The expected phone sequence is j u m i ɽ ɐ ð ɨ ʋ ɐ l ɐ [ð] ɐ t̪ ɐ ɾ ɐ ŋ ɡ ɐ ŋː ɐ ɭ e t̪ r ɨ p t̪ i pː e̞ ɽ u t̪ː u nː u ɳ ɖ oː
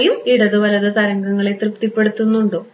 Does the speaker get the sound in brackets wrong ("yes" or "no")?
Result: no